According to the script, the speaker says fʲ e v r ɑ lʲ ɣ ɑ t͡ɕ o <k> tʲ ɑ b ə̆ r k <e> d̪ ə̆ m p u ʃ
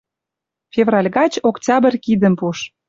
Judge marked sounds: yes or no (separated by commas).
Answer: yes, no